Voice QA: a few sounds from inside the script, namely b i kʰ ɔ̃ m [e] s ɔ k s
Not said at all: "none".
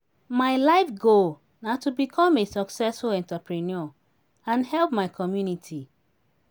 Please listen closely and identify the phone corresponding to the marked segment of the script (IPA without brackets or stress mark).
e